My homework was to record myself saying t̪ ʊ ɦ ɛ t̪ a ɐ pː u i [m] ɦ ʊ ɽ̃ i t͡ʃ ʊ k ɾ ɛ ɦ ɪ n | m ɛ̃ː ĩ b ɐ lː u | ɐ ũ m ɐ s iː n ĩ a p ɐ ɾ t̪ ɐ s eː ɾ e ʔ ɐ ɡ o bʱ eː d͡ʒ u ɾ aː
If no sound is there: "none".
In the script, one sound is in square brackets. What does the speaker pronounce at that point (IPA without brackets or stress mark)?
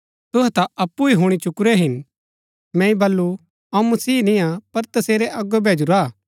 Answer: none